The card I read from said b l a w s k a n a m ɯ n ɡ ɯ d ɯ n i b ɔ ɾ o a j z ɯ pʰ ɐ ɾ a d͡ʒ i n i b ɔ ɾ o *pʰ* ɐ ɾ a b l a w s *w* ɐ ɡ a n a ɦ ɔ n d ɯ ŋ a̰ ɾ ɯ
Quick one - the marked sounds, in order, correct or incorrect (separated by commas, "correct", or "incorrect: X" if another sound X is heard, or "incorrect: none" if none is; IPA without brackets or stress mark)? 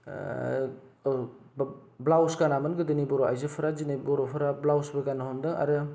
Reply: correct, incorrect: b